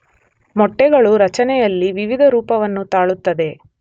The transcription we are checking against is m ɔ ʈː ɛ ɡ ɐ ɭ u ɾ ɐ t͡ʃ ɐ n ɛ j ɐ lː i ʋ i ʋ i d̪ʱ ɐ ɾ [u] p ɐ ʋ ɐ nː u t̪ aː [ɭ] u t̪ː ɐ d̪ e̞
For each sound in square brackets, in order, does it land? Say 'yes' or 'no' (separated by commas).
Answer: no, yes